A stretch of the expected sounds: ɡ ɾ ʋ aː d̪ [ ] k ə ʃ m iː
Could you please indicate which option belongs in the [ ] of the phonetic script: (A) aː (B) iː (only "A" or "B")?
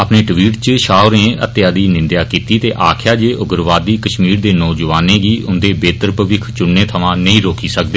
B